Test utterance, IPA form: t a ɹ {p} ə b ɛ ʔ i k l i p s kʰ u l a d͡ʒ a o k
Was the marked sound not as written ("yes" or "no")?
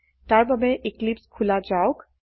yes